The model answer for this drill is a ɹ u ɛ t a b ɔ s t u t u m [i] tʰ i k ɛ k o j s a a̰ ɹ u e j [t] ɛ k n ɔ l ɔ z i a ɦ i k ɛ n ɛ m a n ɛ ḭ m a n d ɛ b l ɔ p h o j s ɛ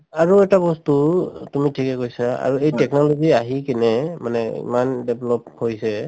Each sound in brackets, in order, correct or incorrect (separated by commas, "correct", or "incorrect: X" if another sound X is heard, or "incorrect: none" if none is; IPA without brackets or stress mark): correct, correct